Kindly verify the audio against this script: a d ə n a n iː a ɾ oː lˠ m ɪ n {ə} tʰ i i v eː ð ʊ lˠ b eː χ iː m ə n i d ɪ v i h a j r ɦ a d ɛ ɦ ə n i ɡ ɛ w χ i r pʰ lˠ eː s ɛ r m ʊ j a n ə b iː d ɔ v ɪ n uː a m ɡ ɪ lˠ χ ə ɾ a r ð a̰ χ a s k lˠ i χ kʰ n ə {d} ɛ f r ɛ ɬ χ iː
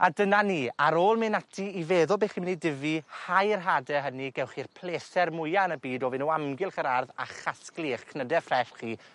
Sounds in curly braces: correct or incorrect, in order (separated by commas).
incorrect, correct